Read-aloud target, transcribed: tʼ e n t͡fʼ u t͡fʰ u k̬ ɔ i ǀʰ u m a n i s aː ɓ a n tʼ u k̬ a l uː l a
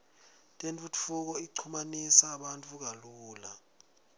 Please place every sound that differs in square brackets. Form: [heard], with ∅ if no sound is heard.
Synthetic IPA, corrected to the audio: tʼ e n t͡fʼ u t͡fʰ u k̬ ɔ i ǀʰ u m a n i s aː ɓ a n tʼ u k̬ a l uː l a

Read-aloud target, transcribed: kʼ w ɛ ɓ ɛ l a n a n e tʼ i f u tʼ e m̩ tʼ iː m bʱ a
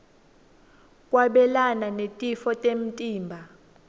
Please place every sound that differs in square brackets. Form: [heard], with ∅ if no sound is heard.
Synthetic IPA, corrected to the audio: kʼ w [a] ɓ ɛ l a n a n e tʼ i f [ɔ] tʼ e m̩ tʼ iː m bʱ a

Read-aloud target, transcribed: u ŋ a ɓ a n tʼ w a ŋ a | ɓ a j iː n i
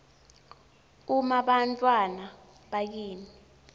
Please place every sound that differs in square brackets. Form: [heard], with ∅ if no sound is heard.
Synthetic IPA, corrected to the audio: u [m] a ɓ a n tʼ w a [n] a | ɓ a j iː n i

